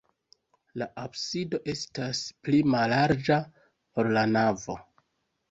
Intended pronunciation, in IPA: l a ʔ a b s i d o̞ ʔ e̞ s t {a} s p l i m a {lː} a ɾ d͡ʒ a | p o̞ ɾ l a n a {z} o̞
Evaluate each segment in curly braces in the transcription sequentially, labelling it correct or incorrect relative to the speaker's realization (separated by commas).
correct, incorrect, incorrect